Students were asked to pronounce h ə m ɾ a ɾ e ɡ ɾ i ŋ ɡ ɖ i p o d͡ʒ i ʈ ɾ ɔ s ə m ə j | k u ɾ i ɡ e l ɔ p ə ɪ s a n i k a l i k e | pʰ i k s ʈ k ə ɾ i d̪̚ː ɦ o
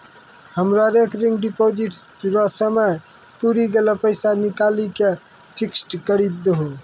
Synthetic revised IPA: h ə m ɾ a ɾ e k ɾ i ŋ ɡ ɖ i p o d͡ʒ i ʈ ɾ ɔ s ə m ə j | p u ɾ i ɡ e l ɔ p ə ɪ s a n i k a l i k e | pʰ i k s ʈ k ə ɾ i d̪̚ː ɦ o